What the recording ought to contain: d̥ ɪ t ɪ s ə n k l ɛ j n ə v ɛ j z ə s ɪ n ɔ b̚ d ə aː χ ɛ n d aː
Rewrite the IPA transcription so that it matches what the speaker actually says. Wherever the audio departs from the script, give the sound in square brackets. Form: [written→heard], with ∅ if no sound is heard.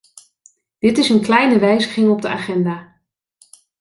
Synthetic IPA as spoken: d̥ ɪ t ɪ s ə n k l ɛ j n ə [v→ʋ] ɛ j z ə [s→χ] ɪ [n→ŋ] ɔ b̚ d ə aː χ ɛ n d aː